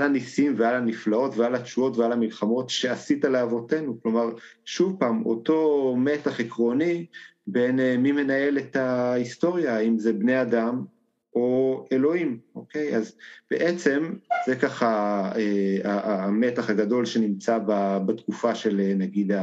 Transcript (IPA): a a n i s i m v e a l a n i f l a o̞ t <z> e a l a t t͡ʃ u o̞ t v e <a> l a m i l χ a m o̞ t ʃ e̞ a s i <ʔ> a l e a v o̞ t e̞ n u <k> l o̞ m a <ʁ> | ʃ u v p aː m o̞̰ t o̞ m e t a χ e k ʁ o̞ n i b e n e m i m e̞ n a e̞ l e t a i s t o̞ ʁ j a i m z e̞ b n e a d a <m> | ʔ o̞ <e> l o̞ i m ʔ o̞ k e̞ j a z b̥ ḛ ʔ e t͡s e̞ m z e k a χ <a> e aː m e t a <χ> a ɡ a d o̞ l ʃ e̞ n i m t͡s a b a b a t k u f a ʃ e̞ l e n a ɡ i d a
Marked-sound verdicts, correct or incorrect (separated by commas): incorrect, correct, incorrect, correct, correct, correct, correct, correct, correct